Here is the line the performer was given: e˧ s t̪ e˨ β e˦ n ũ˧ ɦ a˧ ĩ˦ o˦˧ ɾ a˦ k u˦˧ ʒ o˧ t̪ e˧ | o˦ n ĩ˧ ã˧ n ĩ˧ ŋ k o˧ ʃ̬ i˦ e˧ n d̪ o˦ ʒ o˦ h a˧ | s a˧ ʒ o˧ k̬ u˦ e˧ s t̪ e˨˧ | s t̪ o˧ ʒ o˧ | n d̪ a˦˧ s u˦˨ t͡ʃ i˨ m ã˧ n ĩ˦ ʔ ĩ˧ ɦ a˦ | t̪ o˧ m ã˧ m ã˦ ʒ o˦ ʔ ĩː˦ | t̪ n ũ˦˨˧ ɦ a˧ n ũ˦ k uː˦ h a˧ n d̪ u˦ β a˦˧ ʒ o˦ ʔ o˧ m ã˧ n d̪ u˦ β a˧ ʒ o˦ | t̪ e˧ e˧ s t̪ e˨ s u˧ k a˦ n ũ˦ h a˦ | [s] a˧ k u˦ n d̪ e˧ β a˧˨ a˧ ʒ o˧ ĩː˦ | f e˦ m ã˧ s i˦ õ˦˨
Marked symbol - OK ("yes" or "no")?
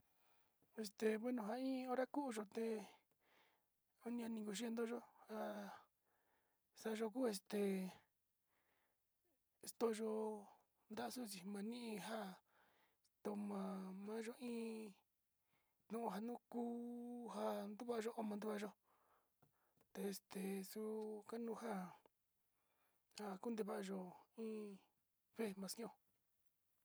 no